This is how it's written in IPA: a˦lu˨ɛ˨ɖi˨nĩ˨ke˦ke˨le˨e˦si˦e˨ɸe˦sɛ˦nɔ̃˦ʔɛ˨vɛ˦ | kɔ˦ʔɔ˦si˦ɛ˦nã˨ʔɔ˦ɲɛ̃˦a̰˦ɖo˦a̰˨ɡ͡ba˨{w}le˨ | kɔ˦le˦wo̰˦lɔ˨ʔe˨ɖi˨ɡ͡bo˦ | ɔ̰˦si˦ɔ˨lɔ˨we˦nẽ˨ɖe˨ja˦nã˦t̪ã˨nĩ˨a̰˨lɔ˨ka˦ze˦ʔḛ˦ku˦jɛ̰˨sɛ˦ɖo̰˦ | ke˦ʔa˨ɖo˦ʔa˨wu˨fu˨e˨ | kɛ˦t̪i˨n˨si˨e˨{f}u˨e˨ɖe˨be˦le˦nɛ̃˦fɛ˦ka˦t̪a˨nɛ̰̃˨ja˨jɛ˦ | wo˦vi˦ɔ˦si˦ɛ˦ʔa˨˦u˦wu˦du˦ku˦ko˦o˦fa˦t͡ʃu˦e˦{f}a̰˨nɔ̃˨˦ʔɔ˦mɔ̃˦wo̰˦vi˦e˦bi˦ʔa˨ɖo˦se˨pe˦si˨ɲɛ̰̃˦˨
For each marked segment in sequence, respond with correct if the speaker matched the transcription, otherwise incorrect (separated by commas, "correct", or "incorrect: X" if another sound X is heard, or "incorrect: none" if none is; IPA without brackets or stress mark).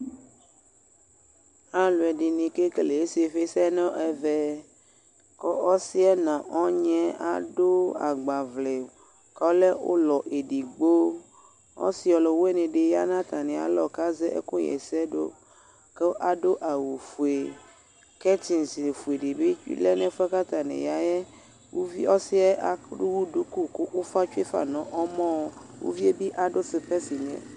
incorrect: v, correct, correct